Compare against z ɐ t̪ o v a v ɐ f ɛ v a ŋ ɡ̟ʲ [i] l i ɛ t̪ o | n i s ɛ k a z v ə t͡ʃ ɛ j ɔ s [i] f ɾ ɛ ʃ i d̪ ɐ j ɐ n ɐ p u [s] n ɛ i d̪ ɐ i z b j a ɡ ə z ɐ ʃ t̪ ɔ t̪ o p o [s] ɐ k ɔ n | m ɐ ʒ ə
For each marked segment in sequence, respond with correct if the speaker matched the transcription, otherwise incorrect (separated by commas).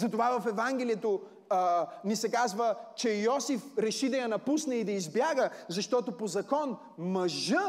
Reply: incorrect, correct, correct, incorrect